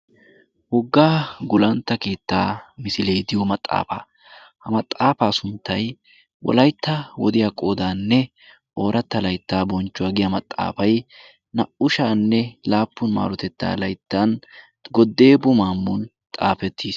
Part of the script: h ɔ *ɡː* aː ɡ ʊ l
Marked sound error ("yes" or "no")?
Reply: no